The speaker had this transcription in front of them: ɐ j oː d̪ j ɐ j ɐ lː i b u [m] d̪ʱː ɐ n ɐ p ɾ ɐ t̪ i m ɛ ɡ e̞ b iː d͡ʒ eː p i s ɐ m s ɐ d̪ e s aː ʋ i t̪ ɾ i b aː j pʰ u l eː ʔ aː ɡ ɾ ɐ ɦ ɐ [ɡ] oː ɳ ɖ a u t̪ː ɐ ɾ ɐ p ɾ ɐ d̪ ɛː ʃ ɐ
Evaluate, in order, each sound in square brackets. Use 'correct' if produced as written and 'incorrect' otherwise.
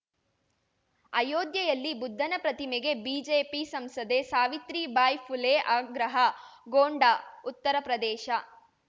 incorrect: none, correct

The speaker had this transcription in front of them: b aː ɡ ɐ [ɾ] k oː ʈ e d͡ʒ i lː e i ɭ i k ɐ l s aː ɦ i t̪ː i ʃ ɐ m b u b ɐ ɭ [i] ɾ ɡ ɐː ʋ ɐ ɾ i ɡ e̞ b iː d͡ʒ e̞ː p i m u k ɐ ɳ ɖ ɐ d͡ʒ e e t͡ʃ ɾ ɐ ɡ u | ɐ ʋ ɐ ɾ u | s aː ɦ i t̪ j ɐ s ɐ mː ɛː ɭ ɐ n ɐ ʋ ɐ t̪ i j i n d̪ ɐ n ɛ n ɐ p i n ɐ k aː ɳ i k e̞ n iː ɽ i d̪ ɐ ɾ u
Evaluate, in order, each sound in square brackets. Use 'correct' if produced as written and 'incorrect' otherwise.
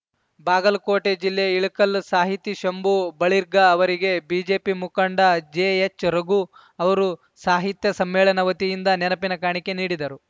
incorrect: l, correct

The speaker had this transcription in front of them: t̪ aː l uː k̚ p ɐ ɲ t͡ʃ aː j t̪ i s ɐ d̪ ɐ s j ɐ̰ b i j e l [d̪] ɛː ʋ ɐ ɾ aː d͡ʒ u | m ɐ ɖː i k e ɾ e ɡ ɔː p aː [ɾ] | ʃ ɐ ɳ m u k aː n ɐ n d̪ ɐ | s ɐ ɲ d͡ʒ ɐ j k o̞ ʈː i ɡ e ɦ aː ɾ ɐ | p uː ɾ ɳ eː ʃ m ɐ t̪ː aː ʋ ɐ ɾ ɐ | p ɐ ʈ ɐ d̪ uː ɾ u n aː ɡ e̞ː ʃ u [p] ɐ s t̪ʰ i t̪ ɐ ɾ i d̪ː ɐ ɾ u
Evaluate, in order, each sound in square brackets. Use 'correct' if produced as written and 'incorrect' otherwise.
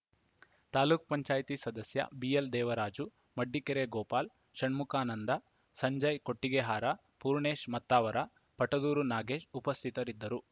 correct, incorrect: l, correct

